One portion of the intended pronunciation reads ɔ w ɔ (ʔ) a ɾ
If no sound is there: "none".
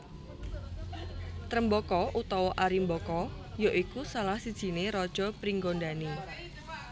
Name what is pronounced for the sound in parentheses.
ʔ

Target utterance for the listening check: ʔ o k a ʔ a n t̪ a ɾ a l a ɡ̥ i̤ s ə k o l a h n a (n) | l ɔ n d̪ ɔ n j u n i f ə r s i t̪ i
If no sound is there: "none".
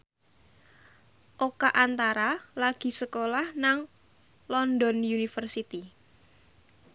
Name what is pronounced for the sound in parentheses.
ŋ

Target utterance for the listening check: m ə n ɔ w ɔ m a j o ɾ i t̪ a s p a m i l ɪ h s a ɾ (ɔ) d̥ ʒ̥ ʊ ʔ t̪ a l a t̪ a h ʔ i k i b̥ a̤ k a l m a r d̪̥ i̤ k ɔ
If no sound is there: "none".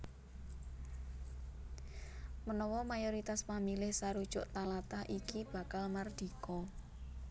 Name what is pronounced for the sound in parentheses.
u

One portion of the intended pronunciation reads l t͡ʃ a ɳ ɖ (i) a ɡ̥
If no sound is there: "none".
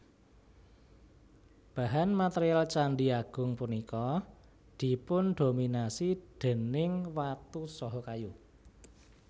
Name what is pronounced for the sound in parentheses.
i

